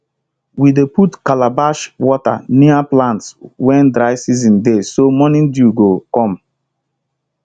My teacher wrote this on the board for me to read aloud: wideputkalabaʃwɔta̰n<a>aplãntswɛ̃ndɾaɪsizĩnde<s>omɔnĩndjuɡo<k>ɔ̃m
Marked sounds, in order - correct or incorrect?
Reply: incorrect: i, correct, correct

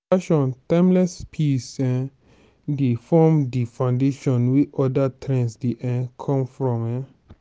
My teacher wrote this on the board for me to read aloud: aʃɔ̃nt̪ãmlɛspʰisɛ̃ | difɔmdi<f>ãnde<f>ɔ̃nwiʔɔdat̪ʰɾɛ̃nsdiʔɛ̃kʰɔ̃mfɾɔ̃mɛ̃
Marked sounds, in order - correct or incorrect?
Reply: correct, incorrect: ʃ

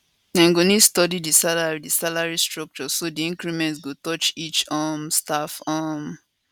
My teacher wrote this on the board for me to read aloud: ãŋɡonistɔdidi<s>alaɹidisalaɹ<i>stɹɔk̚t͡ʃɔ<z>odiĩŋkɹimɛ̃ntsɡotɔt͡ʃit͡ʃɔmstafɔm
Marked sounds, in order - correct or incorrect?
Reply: correct, correct, incorrect: s

